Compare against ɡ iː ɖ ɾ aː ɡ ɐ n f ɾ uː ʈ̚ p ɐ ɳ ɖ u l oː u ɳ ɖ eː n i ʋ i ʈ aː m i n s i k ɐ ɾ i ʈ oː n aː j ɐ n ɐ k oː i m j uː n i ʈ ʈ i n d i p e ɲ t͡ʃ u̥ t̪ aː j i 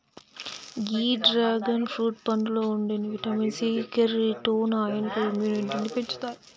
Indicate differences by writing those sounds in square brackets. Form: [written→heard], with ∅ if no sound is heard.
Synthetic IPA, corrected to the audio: ɡ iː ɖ ɾ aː ɡ ɐ n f ɾ uː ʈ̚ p ɐ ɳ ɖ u l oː u ɳ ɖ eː n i ʋ i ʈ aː m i n s i k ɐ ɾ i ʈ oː n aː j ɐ n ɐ k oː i m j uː n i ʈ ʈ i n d i p e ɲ t͡ʃ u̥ t̪ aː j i